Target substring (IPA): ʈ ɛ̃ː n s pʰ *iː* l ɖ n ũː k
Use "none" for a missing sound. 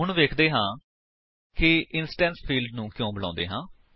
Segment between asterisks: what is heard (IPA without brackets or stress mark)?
iː